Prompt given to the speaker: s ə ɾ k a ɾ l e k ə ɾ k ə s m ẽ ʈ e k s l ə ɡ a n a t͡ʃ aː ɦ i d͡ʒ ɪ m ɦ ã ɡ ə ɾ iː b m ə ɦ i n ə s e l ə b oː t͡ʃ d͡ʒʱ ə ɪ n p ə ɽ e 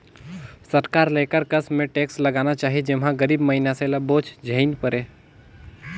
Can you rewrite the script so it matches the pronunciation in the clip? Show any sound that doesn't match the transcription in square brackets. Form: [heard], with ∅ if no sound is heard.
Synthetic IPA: s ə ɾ k a ɾ l e k ə ɾ k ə s m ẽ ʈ e k s l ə ɡ a n a t͡ʃ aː ɦ i d͡ʒ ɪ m ɦ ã ɡ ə ɾ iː b m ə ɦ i n [a] s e l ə b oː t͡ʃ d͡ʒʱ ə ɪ n p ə [ɾ] e